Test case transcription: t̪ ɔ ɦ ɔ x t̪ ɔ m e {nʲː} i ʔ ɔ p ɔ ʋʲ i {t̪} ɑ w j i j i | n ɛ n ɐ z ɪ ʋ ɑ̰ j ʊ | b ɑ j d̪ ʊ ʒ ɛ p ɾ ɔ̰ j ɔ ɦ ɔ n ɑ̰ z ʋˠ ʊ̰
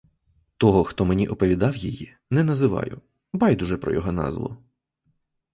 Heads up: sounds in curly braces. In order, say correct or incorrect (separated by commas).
incorrect, incorrect